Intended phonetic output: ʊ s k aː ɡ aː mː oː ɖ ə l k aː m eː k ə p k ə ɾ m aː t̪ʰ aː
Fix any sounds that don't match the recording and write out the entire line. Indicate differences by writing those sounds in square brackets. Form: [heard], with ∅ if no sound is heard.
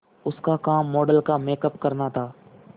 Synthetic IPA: ʊ s k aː [k] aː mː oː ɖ ə l k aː m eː k ə p k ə ɾ [n] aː t̪ʰ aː